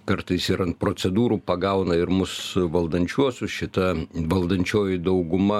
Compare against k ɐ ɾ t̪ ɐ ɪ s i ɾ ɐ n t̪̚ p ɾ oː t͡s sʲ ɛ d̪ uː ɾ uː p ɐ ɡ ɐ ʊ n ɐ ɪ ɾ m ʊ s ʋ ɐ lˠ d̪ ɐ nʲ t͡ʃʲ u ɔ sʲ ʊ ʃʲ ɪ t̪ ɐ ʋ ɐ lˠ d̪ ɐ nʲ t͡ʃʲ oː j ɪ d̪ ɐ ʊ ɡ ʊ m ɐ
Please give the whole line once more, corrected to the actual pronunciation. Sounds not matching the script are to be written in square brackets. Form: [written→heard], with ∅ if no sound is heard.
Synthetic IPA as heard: k ɐ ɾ t̪ ɐ ɪ s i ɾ ɐ n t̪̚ p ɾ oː t͡s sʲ ɛ d̪ uː ɾ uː p ɐ ɡ ɐ ʊ n ɐ ɪ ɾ m ʊ s ʋ ɐ lˠ d̪ ɐ nʲ t͡ʃʲ u ɔ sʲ ʊ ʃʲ ɪ t̪ ɐ ʋ ɐ lˠ d̪ ɐ nʲ t͡ʃʲ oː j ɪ d̪ ɐ ʊ ɡ ʊ m ɐ